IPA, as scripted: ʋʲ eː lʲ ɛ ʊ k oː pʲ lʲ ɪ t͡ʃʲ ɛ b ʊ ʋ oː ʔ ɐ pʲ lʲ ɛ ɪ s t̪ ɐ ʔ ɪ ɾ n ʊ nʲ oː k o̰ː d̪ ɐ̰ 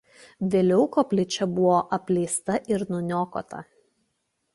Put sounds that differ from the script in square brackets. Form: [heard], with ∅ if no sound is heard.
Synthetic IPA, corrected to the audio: ʋʲ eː lʲ ɛ ʊ k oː pʲ lʲ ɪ t͡ʃʲ ɛ b ʊ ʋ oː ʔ ɐ pʲ lʲ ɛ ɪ s t̪ ɐ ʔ ɪ ɾ n ʊ nʲ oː k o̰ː [t̪] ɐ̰